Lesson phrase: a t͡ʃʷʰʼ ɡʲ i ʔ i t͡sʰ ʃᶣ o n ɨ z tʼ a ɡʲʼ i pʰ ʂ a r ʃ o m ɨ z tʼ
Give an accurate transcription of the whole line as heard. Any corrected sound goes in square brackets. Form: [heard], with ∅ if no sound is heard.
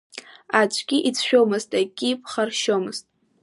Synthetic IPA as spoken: a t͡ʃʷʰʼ ɡʲ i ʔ i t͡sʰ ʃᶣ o [m] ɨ z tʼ a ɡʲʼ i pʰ [χ] a r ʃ o m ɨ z tʼ